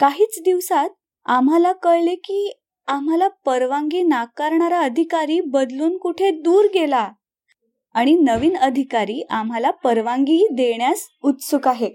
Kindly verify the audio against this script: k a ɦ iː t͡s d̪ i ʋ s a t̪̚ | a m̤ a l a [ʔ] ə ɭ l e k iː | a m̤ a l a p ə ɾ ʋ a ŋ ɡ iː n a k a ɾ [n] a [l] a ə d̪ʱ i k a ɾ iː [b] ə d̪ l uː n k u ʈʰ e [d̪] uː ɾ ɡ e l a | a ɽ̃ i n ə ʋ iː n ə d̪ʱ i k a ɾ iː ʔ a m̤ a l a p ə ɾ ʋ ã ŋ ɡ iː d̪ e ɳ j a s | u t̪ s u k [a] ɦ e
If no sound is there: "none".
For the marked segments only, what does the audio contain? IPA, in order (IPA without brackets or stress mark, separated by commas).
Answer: k, ɳ, ɾ, b, d̪, a